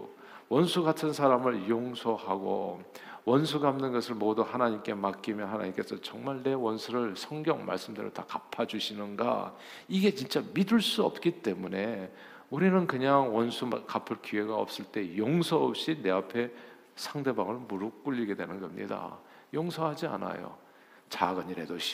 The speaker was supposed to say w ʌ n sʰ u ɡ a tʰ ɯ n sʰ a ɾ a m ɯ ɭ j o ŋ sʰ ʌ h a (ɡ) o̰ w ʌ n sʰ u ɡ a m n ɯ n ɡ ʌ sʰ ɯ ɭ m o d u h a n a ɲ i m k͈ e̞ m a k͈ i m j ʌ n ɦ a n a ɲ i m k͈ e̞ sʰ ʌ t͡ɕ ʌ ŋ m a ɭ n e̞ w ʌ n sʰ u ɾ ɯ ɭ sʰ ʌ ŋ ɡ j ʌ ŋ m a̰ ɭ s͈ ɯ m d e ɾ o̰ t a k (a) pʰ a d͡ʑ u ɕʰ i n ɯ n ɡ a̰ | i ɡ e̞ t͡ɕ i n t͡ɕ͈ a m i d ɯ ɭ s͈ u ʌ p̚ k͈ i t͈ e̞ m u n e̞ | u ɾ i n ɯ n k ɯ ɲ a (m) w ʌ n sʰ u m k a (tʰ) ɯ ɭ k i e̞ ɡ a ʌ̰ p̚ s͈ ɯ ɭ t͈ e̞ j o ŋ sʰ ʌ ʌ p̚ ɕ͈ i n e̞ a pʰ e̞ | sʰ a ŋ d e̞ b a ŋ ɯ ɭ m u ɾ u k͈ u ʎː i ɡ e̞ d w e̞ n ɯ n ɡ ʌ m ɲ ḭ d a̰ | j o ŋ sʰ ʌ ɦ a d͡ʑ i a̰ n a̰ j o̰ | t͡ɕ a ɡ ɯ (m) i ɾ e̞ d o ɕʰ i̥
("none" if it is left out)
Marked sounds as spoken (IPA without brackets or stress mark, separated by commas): ɡ, a, ŋ, pʰ, ɲ